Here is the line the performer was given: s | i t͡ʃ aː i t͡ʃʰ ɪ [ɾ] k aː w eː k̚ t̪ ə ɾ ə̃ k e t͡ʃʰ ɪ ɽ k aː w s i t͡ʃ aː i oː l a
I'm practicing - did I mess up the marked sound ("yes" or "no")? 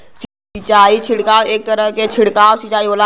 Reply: yes